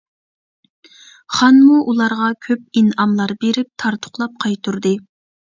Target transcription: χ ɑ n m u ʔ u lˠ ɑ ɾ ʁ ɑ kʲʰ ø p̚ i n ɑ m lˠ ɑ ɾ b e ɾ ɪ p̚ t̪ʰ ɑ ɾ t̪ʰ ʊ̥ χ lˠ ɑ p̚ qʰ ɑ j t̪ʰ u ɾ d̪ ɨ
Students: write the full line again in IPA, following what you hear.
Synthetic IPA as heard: χ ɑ n m u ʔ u lˠ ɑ ɾ ʁ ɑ kʲʰ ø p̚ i n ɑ m lˠ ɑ ɾ b e ɾ ɪ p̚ t̪ʰ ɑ ɾ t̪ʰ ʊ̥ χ lˠ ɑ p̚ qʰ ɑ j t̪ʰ u ɾ d̪ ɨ

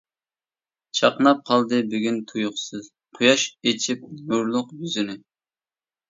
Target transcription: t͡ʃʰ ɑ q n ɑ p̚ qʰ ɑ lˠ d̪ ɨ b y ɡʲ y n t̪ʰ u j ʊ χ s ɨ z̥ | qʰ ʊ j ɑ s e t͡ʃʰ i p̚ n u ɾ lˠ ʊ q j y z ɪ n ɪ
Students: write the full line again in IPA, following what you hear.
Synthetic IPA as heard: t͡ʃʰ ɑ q n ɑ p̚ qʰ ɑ lˠ d̪ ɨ b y ɡʲ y n t̪ʰ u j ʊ χ s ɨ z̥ | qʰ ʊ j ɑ ʃ e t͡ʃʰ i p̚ n u ɾ lˠ ʊ q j y z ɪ n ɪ

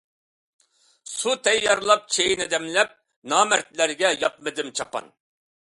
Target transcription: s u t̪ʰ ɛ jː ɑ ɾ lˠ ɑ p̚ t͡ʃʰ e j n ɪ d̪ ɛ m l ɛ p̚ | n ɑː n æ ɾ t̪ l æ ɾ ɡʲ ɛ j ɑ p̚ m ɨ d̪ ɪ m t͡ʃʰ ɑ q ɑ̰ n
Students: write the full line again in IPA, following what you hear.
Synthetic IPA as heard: s u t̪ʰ ɛ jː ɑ ɾ lˠ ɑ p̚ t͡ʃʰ e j n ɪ d̪ ɛ m l ɛ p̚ | n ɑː m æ ɾ t̪ l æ ɾ ɡʲ ɛ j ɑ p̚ m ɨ d̪ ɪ m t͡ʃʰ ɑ p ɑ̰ n

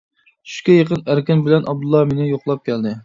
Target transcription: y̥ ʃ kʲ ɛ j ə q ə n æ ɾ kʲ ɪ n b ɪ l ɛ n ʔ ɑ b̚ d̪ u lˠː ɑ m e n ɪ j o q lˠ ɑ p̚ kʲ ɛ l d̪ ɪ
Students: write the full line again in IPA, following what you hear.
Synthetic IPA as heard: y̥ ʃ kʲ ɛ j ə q ə n æ ɾ kʲ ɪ n b ɪ l ɛ n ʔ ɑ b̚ d̪ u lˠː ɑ m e n ɪ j o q lˠ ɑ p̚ kʲ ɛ l d̪ ɪ

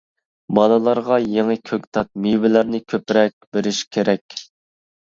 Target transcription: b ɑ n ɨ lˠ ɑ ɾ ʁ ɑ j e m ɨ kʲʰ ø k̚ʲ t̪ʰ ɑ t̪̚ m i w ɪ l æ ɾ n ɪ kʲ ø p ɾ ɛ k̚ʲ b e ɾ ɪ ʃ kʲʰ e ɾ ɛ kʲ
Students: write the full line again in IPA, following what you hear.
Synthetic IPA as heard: b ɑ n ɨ lˠ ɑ ɾ ʁ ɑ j e ŋ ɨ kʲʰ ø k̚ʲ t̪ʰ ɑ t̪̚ m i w ɪ l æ ɾ n ɪ kʲʰ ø p ɾ ɛ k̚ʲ b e ɾ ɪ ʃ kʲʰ e ɾ ɛ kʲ

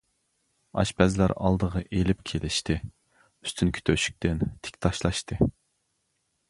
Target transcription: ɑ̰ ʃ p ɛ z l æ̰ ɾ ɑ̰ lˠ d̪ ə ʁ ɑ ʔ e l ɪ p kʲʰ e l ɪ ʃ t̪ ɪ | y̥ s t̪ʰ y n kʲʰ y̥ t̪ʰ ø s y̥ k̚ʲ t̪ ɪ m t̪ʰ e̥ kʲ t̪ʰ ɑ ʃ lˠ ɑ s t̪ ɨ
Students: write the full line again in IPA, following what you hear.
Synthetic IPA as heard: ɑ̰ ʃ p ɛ z l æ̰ ɾ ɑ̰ lˠ d̪ ə ʁ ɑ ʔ e l ɪ p kʲʰ e l ɪ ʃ t̪ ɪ | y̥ s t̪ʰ y n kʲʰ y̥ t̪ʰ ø ʃ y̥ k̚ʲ t̪ ɪ n t̪ʰ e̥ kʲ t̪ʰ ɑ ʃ lˠ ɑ ʃ t̪ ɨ

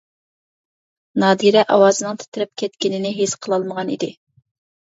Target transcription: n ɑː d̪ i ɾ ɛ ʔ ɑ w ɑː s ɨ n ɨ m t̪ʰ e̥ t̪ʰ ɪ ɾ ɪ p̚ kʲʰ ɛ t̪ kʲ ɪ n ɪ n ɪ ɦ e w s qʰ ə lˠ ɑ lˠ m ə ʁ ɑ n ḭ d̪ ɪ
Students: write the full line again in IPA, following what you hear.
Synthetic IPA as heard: n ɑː d̪ i ɾ ɛ ʔ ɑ w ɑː z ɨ n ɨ ŋ t̪ʰ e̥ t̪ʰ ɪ ɾ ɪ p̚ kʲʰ ɛ t̪ kʲ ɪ n ɪ n ɪ ɦ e s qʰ ə lˠ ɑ lˠ m ə ʁ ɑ n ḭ d̪ ɪ

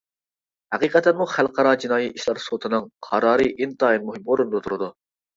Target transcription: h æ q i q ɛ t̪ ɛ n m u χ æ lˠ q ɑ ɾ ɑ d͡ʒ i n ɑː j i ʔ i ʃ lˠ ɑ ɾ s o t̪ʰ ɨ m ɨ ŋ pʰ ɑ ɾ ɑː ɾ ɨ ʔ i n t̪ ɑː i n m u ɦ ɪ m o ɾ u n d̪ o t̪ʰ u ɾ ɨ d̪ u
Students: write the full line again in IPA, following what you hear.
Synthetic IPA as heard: h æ q i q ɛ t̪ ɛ n m u χ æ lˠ q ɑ ɾ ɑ d͡ʒ i n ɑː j i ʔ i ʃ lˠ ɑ ɾ s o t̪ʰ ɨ n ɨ ŋ qʰ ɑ ɾ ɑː ɾ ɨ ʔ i n t̪ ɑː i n m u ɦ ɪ m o ɾ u n d̪ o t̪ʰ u ɾ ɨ d̪ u

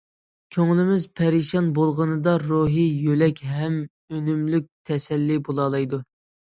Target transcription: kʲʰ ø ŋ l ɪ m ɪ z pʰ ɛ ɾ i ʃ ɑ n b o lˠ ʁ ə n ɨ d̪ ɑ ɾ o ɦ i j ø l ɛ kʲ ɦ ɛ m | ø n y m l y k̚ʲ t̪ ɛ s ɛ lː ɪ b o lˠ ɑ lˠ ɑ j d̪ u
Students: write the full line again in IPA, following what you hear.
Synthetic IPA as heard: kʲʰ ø ŋ l ɪ m ɪ z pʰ ɛ ɾ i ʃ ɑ n b o lˠ ʁ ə n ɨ d̪ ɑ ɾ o ɦ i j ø l ɛ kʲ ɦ ɛ m | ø n y m l y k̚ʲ t̪ʰ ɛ s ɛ lː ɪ b o lˠ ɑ lˠ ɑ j d̪ u

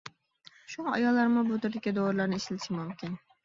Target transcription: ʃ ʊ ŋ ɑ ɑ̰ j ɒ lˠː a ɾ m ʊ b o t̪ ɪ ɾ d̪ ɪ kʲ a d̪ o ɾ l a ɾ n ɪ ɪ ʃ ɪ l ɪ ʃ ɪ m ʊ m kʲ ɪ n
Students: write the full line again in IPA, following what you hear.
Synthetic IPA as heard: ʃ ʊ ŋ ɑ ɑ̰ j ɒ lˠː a ɾ m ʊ b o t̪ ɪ ɾ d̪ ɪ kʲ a d̪ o ɾ l a ɾ n ɪ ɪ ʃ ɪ l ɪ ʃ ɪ m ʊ m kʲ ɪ n

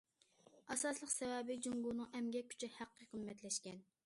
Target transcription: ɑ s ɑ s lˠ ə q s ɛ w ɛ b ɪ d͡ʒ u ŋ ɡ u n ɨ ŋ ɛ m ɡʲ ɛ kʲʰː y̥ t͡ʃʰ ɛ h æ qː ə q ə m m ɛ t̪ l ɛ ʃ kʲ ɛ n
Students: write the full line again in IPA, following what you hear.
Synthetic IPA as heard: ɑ s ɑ s lˠ ə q s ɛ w ɛ b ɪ d͡ʒ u ŋ ɡ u n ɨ ŋ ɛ m ɡʲ ɛ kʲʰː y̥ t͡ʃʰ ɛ h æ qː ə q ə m m ɛ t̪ l ɛ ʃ kʲ ɛ n

